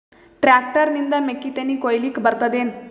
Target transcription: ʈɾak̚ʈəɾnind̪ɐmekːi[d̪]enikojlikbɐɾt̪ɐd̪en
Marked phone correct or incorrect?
incorrect